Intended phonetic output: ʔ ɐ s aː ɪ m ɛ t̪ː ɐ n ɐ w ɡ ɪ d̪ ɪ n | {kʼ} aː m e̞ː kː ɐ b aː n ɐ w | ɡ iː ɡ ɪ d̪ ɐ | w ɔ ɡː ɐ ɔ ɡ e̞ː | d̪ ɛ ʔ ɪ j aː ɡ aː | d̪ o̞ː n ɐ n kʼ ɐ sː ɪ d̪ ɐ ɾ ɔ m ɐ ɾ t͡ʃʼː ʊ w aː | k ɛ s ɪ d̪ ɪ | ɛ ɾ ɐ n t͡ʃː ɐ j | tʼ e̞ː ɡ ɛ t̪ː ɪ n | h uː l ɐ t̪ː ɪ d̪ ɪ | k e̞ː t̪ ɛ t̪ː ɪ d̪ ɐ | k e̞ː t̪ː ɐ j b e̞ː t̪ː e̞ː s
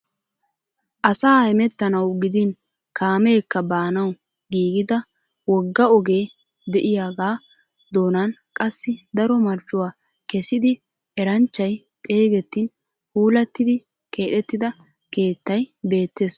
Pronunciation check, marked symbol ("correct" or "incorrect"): incorrect